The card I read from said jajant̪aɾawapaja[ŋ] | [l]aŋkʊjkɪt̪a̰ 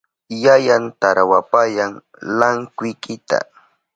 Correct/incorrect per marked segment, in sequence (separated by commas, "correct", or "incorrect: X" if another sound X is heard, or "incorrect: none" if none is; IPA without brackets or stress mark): correct, correct